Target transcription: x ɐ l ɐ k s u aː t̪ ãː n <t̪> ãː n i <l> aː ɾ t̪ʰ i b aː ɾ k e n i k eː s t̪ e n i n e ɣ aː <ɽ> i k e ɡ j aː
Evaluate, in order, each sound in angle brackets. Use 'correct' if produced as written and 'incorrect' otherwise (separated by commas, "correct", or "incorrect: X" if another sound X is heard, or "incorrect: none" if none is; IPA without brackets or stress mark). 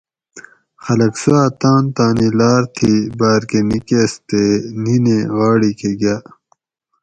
correct, correct, correct